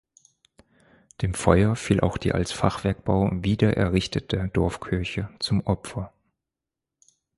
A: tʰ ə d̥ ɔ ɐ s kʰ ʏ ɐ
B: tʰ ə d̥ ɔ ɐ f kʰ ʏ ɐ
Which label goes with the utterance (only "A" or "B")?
B